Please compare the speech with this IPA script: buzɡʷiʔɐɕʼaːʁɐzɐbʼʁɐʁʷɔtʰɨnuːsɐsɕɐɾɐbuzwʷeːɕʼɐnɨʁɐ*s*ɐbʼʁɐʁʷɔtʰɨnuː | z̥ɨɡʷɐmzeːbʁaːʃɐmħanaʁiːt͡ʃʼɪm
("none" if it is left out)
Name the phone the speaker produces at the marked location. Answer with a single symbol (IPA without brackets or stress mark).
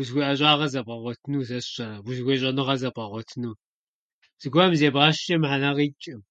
z